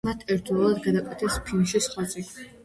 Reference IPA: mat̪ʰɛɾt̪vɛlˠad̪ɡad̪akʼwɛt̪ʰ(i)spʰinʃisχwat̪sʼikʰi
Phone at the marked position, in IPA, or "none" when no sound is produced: ɛ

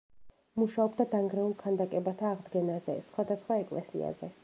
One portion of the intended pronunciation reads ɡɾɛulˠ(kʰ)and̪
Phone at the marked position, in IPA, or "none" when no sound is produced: kʰ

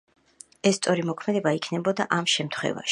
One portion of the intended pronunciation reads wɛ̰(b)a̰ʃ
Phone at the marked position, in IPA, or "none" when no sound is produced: v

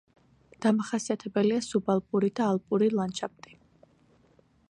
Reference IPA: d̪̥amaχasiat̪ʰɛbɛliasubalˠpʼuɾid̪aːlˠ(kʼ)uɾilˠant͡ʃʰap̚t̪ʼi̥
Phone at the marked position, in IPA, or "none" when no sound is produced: pʼ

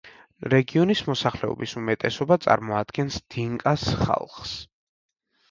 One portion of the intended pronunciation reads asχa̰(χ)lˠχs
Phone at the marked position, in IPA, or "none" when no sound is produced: none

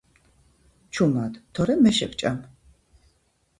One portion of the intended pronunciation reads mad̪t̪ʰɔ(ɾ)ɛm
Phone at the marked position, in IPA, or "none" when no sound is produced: ɾ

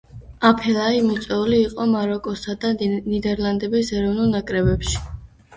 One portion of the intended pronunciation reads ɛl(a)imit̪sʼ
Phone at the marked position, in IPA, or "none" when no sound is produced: a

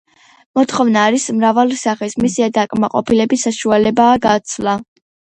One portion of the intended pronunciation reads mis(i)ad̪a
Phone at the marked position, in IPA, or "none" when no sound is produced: i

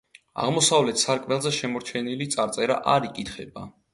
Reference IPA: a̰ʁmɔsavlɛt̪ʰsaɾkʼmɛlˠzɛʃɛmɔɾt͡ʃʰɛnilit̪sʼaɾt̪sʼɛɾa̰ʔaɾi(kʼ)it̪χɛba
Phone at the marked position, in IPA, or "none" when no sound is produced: kʼ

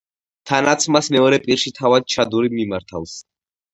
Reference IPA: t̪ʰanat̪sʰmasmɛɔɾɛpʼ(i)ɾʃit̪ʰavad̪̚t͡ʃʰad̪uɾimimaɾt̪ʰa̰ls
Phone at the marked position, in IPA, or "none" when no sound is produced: i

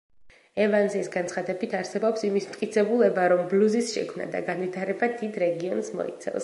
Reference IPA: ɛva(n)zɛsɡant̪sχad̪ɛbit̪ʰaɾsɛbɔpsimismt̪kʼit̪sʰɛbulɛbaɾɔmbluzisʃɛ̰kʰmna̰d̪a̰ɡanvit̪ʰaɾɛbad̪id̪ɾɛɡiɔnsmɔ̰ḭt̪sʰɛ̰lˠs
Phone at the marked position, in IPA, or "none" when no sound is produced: n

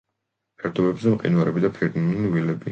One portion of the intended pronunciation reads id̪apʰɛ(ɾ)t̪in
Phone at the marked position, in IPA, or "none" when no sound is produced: ɾ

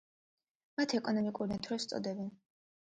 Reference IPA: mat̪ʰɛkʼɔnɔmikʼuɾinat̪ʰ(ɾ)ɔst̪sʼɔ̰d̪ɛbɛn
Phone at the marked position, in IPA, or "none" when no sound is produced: ɾ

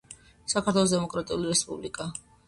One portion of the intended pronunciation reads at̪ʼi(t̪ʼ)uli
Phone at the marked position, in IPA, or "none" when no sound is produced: none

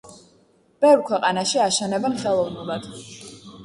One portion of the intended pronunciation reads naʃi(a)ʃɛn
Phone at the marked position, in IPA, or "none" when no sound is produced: a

